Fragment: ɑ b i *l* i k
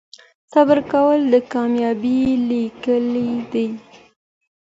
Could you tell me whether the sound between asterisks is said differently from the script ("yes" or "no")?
no